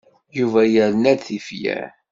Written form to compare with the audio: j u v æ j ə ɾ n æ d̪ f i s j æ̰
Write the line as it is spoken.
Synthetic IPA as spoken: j u v æ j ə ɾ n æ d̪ θ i f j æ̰